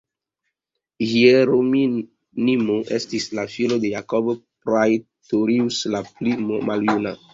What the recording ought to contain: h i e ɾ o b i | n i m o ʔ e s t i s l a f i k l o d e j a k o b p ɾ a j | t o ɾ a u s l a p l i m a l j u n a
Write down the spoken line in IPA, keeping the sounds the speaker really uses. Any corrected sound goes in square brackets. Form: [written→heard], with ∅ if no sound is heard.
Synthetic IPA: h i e ɾ o [b→m] i | n i m o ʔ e s t i s l a f i [k→∅] l o d e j a k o b p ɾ a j | t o ɾ [a→i] u s l a p l i m a l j u n a